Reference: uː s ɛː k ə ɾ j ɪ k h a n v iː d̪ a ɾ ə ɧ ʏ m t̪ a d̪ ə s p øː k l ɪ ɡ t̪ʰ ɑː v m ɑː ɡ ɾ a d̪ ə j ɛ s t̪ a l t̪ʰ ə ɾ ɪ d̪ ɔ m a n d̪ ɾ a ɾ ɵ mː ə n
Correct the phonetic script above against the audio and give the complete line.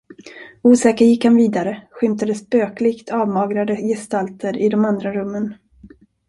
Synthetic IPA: uː s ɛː k ə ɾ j ɪ k h a n v iː d̪ a ɾ ə ɧ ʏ m t̪ a d̪ ə s p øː k l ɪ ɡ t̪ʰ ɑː v m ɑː ɡ ɾ a d̪ ə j ɛ s t̪ a l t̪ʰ ə ɾ ɪ d̪ ɔ m a n d̪ ɾ a ɾ ɵ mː ə n